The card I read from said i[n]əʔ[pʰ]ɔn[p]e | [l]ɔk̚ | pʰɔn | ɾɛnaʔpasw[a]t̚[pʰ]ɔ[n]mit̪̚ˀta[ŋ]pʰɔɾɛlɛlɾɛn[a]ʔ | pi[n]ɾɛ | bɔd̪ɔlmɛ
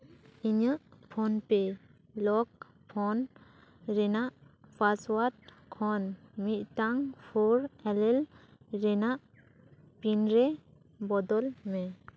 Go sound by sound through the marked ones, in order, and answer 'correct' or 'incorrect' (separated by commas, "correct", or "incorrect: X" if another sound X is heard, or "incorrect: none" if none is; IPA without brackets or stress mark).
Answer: incorrect: ɲ, correct, correct, correct, correct, incorrect: kʰ, correct, correct, correct, correct